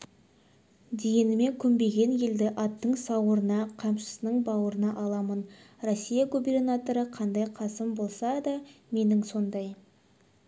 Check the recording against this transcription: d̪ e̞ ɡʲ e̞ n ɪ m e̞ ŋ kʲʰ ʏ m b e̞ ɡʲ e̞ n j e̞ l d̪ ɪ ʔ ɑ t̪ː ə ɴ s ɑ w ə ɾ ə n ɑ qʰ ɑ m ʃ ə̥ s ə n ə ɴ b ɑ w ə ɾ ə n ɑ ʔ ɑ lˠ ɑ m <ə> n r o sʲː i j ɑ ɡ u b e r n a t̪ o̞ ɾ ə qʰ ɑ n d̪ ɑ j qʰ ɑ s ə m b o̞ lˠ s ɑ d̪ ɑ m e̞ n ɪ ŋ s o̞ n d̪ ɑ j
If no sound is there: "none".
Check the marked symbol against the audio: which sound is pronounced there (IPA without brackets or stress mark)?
ə